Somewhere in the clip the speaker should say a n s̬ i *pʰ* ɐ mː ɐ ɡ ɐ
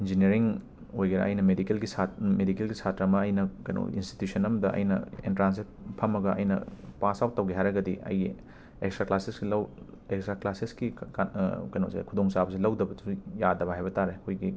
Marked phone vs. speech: correct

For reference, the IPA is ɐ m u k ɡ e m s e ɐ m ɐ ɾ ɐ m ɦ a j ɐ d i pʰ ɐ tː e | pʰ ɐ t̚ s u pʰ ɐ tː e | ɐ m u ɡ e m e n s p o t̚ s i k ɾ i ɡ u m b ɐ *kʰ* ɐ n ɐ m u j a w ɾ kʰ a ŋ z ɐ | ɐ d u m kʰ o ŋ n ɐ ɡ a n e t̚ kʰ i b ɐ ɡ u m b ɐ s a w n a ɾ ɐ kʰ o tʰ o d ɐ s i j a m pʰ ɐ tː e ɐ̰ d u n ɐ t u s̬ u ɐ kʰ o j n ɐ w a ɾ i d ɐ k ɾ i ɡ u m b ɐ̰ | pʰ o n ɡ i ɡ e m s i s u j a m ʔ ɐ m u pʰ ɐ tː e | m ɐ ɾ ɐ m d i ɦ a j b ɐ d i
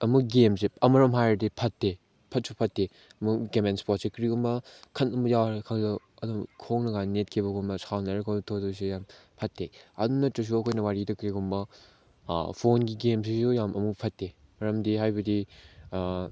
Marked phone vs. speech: correct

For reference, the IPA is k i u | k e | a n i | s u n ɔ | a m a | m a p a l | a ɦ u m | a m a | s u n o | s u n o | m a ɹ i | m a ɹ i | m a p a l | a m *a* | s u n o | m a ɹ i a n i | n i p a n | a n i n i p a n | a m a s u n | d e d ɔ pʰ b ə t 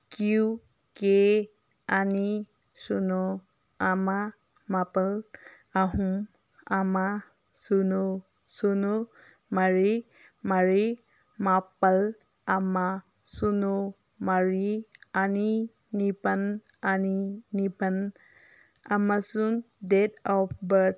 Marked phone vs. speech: correct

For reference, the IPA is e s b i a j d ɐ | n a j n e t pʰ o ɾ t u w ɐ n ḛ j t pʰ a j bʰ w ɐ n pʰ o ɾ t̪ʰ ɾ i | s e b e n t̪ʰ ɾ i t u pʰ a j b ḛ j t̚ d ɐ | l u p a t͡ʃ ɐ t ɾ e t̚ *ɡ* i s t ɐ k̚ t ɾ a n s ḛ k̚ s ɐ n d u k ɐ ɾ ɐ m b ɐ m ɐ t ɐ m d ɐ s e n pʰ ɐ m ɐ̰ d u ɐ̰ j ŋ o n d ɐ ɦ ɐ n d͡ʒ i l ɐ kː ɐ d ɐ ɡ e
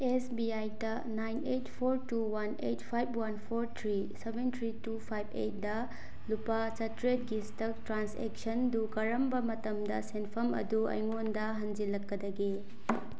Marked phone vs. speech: correct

